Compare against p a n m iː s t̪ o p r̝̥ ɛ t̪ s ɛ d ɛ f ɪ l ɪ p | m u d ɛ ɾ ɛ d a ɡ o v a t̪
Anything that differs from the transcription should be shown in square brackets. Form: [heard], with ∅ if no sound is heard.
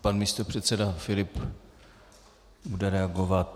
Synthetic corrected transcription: p a n m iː s t̪ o p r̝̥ ɛ t̪ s ɛ d [a] f ɪ l ɪ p | [b] u d ɛ ɾ ɛ [∅] a ɡ o v a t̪